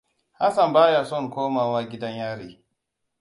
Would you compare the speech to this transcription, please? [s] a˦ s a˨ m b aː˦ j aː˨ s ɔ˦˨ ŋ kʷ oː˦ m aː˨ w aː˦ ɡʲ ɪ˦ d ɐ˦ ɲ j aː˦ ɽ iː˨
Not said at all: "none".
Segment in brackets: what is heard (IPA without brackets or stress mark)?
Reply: h